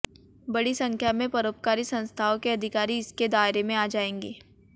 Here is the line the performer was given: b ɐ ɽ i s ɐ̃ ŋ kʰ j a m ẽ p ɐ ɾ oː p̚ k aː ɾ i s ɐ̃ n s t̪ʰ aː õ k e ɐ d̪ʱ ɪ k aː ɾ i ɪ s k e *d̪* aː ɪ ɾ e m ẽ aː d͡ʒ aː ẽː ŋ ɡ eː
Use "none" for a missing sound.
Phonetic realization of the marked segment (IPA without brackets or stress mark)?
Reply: d̪